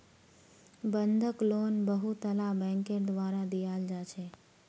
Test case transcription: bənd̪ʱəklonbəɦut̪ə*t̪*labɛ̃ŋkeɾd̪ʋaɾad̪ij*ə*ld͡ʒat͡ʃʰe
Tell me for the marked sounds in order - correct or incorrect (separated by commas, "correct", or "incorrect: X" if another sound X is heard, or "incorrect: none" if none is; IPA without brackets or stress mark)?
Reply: incorrect: none, incorrect: a